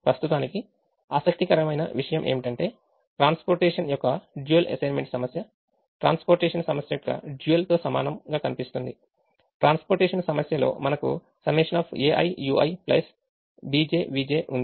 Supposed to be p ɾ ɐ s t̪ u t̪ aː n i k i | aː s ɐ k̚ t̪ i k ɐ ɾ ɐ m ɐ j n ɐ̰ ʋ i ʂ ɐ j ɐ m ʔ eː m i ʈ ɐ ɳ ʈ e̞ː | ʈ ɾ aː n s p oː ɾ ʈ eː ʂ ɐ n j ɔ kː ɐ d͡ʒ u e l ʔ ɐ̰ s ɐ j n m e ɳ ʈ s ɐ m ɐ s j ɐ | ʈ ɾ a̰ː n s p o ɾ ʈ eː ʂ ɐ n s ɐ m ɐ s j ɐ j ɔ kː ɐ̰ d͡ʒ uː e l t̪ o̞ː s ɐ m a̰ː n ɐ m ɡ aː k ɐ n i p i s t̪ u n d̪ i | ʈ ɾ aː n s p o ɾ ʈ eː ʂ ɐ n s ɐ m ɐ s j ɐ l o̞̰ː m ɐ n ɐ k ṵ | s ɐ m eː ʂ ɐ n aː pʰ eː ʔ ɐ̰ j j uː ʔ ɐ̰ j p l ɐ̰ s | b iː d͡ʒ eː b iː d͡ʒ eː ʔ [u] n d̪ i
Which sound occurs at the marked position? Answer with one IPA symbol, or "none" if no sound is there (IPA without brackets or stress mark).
u